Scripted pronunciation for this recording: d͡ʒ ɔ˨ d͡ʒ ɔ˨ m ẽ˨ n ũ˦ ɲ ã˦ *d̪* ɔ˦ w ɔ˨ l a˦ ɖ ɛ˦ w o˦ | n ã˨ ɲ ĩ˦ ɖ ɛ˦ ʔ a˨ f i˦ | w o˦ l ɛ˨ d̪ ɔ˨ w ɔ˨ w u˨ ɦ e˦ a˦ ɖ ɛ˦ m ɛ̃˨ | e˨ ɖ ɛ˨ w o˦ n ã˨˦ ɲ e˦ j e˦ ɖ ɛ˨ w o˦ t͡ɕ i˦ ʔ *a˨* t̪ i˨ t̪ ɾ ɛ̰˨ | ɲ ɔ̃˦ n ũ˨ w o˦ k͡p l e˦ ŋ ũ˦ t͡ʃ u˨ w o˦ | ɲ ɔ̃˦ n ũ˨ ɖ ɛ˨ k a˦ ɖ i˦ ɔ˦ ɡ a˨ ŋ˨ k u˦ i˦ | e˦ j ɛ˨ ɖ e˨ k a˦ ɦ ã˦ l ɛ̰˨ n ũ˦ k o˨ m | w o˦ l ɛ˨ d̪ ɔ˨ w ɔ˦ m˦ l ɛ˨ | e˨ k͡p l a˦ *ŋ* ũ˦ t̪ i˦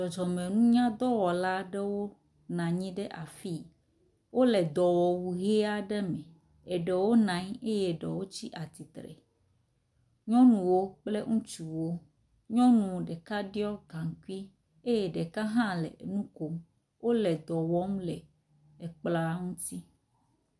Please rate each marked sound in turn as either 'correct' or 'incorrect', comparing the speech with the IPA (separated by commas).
correct, correct, correct